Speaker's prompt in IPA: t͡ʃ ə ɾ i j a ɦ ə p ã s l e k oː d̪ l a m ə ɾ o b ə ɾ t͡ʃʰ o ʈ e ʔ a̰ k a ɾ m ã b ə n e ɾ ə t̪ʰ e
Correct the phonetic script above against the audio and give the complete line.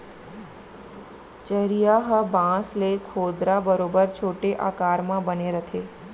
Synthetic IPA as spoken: t͡ʃ ə ɾ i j a ɦ ə b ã s l e kʰ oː d̪ ɾ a b ə ɾ o b ə ɾ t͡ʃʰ o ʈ e ʔ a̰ k a ɾ m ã b ə n e ɾ ə t̪ʰ e